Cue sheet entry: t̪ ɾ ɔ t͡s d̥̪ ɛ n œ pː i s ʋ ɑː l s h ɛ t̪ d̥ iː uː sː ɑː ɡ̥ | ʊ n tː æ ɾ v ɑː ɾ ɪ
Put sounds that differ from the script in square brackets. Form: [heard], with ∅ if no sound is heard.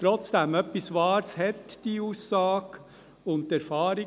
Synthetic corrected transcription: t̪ ɾ ɔ t͡s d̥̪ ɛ [m] œ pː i s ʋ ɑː [ɾ] s h ɛ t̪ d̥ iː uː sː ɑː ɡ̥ | ʊ n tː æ ɾ [f] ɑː ɾ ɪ